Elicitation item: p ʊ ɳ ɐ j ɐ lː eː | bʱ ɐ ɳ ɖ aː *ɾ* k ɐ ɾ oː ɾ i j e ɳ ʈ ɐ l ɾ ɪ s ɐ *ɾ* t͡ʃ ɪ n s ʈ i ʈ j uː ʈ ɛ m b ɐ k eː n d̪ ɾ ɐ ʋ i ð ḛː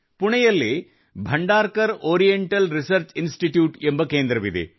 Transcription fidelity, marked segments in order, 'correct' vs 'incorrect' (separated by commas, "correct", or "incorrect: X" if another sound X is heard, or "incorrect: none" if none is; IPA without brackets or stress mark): correct, correct